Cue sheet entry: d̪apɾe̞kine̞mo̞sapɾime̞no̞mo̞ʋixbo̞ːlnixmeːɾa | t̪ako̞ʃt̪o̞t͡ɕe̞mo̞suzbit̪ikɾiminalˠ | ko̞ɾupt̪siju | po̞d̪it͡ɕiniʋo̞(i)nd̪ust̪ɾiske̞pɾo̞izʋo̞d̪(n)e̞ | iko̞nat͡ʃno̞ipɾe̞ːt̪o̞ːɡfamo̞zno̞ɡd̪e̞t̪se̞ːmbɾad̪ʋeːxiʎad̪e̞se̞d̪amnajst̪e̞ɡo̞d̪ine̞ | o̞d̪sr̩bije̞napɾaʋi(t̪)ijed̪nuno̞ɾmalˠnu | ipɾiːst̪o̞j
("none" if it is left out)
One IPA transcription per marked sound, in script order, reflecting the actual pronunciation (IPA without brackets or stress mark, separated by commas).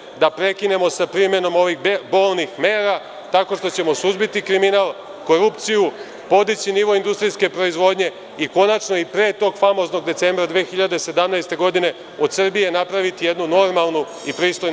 i, ɲ, t̪